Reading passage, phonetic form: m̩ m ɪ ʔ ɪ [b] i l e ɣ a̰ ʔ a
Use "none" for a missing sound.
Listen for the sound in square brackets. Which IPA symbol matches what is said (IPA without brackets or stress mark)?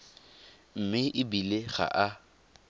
b